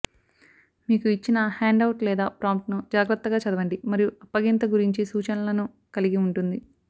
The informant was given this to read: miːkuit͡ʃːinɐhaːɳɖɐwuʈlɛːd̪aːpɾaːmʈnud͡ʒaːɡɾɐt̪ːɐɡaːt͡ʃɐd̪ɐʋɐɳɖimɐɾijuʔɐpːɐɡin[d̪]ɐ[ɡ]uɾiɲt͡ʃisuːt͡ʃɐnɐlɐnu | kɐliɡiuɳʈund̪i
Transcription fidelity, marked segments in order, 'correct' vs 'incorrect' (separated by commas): incorrect, correct